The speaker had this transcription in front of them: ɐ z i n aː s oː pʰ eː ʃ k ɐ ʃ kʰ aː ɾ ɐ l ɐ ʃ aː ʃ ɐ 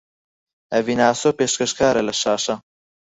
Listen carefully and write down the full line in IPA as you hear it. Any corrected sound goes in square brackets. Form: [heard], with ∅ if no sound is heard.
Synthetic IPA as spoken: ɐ [v] i n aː s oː [p] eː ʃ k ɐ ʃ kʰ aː ɾ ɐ l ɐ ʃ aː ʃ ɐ